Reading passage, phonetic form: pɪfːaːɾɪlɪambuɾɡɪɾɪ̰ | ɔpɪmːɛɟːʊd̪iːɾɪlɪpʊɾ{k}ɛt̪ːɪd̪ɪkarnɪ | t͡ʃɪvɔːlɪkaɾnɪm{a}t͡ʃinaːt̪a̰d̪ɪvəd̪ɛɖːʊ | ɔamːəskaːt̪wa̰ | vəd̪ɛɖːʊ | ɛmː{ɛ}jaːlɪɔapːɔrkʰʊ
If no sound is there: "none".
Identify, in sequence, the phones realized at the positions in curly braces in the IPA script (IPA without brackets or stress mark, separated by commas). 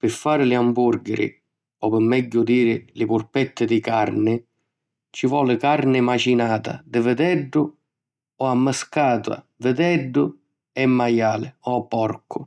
p, a, a